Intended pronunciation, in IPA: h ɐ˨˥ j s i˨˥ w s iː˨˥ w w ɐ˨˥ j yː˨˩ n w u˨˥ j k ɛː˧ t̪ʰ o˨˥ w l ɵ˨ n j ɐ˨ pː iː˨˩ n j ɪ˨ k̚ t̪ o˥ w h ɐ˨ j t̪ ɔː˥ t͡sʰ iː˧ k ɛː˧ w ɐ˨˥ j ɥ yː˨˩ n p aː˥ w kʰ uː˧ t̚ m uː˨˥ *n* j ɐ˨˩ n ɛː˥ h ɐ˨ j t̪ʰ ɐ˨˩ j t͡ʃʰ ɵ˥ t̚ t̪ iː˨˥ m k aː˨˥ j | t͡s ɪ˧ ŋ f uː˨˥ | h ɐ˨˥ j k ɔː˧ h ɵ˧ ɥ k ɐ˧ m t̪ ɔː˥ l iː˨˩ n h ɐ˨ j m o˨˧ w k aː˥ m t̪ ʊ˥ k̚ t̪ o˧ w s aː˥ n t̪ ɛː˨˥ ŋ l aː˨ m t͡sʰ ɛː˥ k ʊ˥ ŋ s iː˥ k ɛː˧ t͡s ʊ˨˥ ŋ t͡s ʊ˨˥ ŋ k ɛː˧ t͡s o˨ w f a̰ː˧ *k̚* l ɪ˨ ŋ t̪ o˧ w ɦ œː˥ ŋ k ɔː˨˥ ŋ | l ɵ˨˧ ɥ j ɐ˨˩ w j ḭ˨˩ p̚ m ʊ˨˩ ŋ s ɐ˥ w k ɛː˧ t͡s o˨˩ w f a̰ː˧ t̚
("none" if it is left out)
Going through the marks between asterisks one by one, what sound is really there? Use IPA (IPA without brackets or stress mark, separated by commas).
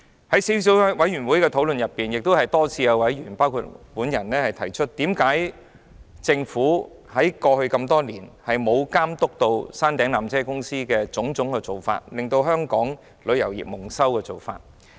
n, t̚